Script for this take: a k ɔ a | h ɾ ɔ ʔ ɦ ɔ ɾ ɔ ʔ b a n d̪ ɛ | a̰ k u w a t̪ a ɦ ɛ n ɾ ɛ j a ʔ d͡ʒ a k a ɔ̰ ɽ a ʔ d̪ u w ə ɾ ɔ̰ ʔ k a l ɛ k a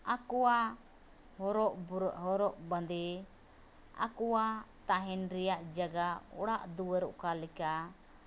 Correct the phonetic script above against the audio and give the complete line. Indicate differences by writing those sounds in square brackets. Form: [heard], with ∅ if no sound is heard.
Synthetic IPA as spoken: a k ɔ a | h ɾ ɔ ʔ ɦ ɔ ɾ ɔ ʔ b a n d̪ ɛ | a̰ k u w a t̪ a ɦ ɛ n ɾ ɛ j a ʔ d͡ʒ a [ɡ] a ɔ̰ ɽ a ʔ d̪ u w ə ɾ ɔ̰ ʔ k a l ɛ k a